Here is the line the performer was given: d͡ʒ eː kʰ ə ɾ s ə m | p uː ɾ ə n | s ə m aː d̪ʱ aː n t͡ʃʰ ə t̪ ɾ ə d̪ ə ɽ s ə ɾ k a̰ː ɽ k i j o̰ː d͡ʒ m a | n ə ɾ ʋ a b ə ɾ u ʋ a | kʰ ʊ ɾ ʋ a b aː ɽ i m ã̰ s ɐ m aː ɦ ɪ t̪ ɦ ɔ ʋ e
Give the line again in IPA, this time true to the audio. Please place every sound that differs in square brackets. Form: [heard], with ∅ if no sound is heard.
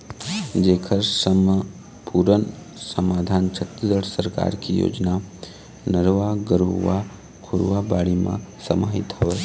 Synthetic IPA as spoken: d͡ʒ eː kʰ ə ɾ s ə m | p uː ɾ ə n | s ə m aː d̪ʱ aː n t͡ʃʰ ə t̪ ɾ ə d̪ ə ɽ s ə ɾ k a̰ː [ɾ] k i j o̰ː d͡ʒ [n] a | n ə ɾ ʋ a [ɡ] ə ɾ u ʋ a | kʰ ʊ ɾ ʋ a b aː ɽ i m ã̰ s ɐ m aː ɦ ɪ t̪ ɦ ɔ ʋ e